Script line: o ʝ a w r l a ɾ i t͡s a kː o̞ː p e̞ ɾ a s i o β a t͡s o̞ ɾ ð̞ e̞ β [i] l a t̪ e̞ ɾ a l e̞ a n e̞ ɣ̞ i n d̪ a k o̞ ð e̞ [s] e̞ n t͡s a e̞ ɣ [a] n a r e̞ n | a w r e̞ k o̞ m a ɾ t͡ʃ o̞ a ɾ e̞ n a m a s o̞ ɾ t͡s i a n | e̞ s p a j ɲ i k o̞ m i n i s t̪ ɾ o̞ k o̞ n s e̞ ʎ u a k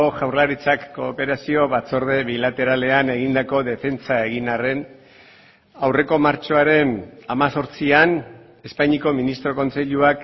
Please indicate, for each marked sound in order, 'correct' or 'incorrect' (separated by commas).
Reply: correct, incorrect, incorrect